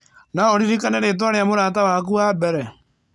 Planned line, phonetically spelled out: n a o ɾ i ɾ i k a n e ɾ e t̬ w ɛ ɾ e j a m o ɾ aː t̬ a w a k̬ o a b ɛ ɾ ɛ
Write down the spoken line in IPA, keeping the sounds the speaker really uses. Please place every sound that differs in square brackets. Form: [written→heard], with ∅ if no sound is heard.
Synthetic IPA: n a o ɾ i ɾ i k a n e ɾ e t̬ w [ɛ→a] ɾ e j a m o ɾ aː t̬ a w a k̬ [o→u] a b ɛ ɾ ɛ